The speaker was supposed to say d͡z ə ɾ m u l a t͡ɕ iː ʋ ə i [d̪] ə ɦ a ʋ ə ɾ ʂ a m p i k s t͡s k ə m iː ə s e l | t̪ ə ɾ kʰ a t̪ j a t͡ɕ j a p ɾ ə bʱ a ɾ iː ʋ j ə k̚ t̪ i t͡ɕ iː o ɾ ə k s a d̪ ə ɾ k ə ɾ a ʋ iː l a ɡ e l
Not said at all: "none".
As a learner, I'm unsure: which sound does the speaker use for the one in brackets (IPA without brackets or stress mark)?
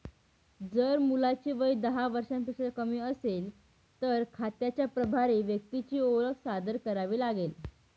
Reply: d̪